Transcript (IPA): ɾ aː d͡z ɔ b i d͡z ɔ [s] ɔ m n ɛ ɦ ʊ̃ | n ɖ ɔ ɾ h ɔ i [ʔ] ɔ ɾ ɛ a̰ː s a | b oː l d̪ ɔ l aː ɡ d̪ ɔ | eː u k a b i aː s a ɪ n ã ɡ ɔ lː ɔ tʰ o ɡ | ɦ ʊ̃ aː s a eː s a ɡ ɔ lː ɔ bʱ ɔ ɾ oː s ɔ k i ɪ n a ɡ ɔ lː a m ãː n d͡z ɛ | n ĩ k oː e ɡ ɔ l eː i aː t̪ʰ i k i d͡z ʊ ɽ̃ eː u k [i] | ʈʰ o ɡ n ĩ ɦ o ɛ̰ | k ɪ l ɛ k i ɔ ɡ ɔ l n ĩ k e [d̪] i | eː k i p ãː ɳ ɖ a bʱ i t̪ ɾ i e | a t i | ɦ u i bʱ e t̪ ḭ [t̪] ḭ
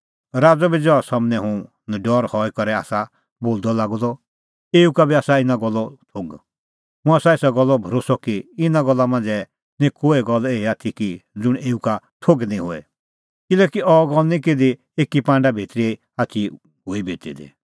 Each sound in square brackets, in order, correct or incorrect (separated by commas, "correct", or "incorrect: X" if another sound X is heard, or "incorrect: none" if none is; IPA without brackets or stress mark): correct, incorrect: k, incorrect: a, correct, incorrect: d̪